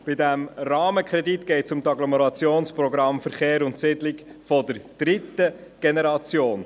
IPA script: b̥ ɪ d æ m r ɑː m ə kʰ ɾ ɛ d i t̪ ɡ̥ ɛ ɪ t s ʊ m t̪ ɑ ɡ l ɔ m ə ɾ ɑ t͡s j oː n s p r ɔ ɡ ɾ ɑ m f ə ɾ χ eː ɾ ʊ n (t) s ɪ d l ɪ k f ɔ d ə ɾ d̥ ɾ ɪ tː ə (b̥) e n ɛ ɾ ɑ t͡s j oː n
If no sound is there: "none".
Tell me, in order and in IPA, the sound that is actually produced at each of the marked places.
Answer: t, ɡ̥

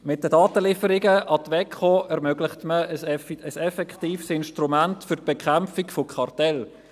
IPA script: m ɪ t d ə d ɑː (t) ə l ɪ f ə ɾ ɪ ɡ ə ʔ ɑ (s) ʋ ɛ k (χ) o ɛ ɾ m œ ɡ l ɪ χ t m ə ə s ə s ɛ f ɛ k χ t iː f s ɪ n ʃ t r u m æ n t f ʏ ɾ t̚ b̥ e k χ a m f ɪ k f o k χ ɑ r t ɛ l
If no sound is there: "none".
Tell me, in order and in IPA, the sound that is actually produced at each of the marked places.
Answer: t, t, χ

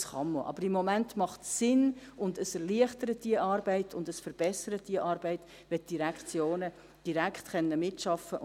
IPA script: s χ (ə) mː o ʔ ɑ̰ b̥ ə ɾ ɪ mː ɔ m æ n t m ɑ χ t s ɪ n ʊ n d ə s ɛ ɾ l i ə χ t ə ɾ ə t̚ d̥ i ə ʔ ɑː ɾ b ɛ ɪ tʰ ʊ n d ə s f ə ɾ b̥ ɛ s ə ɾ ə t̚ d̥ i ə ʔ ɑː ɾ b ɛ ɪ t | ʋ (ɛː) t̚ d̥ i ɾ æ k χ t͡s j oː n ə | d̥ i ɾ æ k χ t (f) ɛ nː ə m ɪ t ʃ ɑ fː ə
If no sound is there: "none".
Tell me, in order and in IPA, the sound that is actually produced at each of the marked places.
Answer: ɑ, ɛ, χ

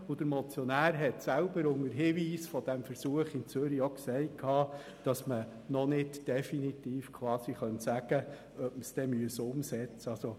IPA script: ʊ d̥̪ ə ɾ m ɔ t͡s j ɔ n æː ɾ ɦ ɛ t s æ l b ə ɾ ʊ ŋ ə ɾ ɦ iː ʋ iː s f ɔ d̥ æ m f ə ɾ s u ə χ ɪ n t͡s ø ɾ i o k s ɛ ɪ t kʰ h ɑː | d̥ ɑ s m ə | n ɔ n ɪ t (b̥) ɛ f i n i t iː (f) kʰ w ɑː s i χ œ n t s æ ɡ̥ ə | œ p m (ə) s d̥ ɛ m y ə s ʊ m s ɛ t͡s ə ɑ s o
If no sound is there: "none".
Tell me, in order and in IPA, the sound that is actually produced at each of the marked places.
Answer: d̥, f, ə

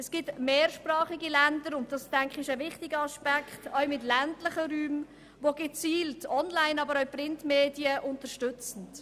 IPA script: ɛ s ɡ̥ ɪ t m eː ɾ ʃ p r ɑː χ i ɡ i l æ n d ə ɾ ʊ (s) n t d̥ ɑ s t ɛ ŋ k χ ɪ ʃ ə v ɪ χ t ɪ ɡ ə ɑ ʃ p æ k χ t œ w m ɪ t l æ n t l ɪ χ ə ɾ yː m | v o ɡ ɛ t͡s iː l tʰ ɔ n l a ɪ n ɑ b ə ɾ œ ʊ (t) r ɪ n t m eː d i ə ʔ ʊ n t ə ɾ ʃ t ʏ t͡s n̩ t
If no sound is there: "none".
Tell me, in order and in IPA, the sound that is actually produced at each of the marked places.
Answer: none, p

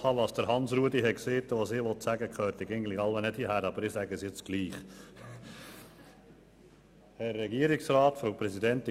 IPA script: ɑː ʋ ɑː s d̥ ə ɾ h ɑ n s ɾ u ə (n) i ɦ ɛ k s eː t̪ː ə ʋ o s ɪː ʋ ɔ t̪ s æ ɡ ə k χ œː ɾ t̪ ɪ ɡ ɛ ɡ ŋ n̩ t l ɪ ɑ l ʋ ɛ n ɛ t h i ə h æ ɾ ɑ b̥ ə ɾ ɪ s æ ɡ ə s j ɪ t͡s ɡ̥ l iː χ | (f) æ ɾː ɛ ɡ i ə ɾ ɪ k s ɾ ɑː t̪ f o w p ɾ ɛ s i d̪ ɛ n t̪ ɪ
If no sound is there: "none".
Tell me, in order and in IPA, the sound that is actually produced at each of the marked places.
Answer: d, h

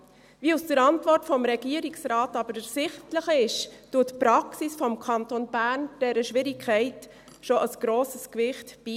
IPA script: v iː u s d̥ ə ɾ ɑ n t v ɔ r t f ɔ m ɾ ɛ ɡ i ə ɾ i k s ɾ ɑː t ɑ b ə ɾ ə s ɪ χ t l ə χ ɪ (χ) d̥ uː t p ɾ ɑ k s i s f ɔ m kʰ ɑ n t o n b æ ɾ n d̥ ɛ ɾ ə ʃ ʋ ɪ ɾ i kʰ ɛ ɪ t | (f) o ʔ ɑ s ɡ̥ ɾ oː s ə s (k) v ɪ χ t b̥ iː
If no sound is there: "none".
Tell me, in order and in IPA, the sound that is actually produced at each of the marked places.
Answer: ʃ, ʃ, k

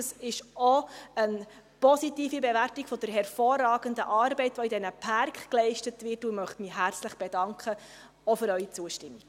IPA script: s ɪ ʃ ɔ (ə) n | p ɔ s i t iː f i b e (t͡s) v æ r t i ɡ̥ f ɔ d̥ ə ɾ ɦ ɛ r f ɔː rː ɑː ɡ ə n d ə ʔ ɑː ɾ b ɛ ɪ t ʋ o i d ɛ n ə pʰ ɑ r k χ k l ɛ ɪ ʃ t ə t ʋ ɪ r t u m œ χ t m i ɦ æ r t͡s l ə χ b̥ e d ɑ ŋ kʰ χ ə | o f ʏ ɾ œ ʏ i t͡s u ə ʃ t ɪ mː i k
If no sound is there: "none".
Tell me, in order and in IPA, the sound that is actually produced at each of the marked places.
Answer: ə, none

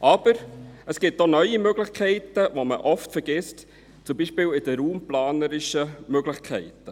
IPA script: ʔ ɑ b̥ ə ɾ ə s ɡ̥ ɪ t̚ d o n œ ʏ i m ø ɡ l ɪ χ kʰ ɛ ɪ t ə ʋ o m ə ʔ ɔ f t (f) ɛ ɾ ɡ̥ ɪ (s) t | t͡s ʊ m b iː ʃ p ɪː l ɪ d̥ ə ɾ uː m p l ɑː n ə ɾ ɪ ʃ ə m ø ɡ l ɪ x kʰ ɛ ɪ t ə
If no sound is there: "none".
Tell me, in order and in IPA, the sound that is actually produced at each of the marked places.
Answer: f, s

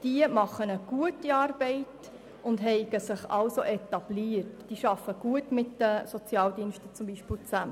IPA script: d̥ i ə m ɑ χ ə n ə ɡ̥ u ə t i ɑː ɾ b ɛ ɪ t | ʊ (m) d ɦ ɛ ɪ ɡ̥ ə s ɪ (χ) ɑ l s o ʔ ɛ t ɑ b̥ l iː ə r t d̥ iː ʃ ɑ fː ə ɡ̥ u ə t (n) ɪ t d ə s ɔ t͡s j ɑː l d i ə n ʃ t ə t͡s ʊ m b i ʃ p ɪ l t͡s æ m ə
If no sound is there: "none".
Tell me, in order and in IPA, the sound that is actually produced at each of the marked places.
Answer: n, χ, m

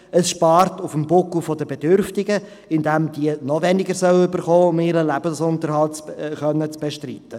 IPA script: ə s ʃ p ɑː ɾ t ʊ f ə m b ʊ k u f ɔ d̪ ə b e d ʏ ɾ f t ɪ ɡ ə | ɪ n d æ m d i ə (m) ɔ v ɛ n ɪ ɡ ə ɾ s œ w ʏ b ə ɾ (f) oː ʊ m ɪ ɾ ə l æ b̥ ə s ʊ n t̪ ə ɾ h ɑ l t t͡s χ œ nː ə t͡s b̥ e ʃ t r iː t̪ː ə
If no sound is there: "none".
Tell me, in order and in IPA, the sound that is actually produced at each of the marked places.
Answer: n, χ

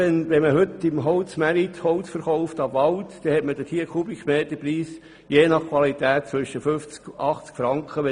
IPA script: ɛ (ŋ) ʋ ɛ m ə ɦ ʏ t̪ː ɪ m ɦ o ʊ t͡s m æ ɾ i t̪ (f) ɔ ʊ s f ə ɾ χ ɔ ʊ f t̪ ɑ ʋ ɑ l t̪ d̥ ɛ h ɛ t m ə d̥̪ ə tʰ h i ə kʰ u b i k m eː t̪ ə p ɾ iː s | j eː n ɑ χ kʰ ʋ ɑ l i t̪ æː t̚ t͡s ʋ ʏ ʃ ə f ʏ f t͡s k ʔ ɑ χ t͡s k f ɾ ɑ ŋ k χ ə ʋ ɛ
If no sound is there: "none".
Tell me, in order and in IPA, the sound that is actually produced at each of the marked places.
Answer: n, h

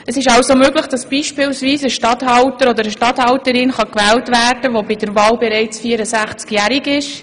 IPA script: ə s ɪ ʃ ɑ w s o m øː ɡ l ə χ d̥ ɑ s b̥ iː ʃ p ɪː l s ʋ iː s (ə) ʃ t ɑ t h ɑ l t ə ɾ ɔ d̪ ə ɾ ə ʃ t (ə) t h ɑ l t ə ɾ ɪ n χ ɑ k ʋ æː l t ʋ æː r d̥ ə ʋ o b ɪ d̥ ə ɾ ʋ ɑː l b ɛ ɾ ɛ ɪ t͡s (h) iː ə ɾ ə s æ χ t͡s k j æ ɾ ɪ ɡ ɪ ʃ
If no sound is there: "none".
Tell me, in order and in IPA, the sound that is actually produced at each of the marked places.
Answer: ə, ɑ, f

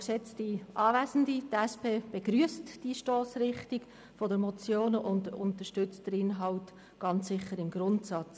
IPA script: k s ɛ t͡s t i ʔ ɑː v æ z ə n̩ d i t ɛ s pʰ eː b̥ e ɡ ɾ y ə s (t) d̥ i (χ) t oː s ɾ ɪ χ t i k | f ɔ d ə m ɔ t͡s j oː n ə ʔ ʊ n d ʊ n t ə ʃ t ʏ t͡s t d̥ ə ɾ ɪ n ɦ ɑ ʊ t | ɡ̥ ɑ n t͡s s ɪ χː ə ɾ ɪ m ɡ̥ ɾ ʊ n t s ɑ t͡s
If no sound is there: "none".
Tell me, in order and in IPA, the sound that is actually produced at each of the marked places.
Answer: t, ʃ

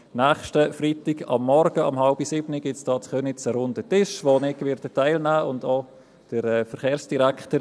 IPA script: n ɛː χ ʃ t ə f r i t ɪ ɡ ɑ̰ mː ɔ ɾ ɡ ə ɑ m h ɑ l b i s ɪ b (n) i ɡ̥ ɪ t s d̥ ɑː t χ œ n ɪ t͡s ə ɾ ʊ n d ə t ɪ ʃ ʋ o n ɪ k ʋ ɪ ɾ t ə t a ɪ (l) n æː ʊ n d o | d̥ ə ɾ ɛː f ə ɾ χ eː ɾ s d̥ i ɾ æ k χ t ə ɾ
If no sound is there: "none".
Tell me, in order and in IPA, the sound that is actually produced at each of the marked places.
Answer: n, l

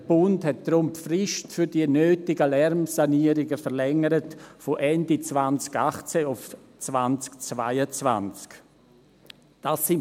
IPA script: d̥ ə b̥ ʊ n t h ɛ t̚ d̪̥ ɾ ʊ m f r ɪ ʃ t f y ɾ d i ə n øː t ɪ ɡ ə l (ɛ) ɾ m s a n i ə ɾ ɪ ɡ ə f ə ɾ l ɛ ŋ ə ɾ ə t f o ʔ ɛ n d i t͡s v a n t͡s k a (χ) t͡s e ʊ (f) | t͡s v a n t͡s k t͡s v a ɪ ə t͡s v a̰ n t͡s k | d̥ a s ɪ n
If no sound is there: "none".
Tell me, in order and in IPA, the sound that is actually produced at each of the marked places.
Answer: ɛ, χ, f

